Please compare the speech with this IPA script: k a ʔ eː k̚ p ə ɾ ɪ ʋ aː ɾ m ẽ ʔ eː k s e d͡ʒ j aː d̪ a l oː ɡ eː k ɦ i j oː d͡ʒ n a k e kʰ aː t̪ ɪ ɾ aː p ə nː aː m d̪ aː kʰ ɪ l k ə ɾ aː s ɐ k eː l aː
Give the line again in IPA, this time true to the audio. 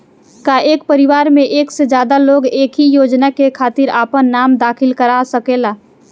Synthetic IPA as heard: k a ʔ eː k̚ p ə ɾ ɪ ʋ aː ɾ m ẽ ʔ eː k s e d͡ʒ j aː d̪ a l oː ɡ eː k ɦ i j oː d͡ʒ n a k e kʰ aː t̪ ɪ ɾ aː p ə nː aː m d̪ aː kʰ ɪ l k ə ɾ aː s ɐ k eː l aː